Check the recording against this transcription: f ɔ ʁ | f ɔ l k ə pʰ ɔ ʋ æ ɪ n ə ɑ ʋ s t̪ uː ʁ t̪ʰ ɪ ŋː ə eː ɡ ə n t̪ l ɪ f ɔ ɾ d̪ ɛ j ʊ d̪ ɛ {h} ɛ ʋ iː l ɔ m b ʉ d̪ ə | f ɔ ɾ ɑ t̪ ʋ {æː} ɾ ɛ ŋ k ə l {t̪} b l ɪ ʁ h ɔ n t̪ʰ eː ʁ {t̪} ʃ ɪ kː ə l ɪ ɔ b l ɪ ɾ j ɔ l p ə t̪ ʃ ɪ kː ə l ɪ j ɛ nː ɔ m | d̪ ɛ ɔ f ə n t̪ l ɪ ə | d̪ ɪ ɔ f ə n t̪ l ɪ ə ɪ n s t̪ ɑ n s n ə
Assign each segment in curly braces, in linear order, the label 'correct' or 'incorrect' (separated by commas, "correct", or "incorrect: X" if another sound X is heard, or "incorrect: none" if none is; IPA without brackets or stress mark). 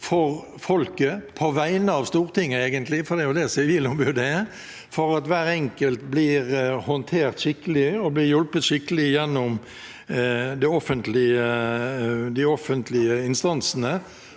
incorrect: s, correct, correct, correct